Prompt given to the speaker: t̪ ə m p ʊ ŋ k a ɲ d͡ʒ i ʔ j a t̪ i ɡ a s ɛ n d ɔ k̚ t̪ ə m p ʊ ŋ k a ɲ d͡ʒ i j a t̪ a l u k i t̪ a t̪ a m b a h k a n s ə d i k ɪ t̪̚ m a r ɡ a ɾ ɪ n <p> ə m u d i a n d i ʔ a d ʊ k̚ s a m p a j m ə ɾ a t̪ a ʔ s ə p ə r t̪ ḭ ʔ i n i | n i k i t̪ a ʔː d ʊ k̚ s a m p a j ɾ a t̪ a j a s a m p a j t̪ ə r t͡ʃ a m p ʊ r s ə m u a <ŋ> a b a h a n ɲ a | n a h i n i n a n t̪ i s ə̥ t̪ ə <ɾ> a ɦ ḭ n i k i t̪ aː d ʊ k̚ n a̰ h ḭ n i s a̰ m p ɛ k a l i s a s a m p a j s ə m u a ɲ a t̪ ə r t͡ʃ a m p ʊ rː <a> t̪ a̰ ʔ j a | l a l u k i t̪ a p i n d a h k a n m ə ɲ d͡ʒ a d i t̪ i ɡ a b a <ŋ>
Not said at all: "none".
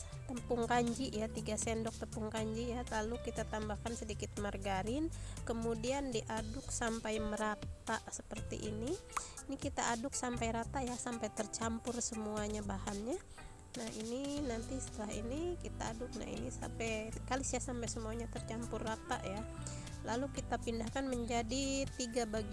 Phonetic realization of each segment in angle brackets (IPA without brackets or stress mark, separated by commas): k, ɲ, l, a, ɡ